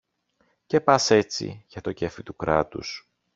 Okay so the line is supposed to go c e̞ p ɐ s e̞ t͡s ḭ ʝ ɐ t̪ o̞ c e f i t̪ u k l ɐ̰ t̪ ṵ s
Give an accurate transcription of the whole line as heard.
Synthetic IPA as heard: c e̞ p ɐ s e̞ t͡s ḭ ʝ ɐ t̪ o̞ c e f i t̪ u k ɾ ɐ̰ t̪ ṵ s